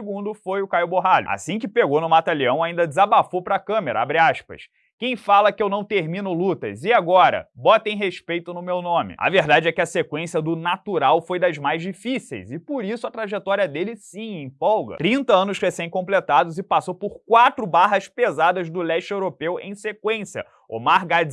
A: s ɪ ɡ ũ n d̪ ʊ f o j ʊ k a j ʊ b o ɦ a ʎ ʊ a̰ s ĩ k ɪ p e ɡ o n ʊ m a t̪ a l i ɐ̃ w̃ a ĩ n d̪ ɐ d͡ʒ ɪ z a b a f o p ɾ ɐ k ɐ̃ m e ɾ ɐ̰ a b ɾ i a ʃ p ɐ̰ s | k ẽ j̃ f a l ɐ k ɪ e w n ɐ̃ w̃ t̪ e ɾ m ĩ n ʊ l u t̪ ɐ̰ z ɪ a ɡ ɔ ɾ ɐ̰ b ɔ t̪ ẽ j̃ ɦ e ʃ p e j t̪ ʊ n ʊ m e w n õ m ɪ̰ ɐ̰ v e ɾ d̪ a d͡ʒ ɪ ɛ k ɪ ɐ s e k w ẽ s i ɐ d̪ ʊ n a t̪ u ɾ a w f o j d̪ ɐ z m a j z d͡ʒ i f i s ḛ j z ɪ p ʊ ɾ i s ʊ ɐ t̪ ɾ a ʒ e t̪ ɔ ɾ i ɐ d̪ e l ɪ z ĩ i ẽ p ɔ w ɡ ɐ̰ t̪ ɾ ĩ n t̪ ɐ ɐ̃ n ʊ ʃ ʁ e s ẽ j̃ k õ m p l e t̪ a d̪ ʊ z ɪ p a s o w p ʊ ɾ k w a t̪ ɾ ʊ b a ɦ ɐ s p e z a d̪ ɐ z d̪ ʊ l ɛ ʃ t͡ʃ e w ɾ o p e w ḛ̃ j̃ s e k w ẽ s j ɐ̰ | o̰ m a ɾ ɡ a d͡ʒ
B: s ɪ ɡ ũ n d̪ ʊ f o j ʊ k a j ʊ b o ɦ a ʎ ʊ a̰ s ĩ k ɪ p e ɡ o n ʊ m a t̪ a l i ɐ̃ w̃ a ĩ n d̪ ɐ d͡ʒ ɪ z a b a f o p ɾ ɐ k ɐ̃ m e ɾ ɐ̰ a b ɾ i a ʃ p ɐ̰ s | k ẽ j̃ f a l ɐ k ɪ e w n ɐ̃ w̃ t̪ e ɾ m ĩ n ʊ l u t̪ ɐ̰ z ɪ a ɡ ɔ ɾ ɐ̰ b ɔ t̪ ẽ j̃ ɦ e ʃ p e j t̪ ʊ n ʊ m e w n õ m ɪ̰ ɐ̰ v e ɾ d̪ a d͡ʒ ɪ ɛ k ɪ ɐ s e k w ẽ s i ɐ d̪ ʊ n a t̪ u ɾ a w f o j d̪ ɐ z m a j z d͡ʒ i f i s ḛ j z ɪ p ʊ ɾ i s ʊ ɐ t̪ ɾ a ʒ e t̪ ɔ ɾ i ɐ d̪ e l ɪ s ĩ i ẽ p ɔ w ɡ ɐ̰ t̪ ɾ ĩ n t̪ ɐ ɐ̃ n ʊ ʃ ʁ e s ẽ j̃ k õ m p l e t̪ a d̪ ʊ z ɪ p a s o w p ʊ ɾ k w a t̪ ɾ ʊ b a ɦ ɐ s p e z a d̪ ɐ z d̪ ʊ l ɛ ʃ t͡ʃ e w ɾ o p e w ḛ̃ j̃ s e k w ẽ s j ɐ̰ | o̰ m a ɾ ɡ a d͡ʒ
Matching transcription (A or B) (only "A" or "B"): B